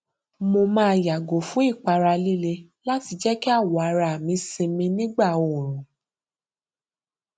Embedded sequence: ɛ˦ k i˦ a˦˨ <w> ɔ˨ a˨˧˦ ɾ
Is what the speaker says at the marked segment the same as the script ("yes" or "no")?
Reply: yes